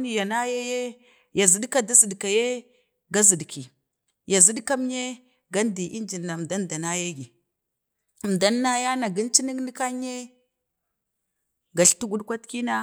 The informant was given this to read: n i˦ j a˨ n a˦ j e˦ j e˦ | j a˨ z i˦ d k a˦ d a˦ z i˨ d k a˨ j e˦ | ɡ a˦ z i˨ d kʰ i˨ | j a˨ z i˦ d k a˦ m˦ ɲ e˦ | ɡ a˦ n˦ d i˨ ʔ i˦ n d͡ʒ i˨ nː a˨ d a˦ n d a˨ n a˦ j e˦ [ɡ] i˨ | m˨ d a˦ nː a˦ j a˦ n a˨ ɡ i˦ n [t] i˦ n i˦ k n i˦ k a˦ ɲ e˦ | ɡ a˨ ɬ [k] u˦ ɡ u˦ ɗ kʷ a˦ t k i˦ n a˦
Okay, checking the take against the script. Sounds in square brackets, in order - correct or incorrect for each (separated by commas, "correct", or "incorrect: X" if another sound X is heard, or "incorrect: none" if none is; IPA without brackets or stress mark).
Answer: correct, incorrect: t͡ʃ, incorrect: t